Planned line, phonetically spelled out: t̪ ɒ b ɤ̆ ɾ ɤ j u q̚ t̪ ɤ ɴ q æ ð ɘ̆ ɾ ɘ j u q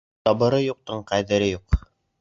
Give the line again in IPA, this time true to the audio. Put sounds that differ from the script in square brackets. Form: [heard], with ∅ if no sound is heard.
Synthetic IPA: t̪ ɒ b ɤ̆ ɾ ɤ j u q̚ t̪ ɤ ɴ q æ ð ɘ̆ ɾ ɘ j u q